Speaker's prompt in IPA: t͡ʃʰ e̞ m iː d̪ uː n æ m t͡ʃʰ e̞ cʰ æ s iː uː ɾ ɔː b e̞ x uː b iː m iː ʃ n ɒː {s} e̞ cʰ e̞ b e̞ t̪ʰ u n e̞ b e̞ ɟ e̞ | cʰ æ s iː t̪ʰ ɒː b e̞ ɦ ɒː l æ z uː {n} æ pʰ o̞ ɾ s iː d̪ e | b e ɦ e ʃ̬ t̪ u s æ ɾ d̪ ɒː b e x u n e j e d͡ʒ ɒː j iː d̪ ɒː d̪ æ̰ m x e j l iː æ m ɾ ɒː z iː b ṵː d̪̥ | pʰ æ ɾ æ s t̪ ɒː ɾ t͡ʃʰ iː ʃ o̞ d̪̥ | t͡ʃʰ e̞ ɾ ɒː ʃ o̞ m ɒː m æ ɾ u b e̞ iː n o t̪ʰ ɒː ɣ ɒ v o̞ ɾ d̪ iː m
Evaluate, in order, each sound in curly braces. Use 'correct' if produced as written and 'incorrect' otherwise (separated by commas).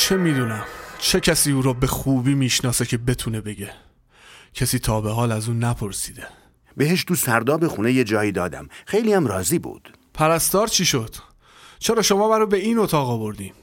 correct, correct